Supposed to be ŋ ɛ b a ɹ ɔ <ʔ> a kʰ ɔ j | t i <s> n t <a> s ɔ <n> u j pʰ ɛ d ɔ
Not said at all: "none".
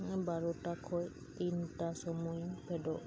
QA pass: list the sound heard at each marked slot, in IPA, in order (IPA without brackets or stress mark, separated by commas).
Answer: t, none, a, m